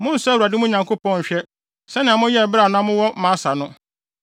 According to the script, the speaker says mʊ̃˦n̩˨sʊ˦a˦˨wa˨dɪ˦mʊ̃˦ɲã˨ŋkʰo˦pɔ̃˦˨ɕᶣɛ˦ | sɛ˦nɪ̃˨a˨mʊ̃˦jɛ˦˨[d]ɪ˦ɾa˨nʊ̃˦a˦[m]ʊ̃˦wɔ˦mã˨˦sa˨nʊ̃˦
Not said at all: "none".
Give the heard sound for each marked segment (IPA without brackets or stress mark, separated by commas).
b, m